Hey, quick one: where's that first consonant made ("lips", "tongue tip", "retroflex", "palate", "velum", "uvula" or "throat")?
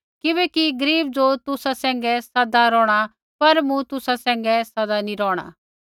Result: velum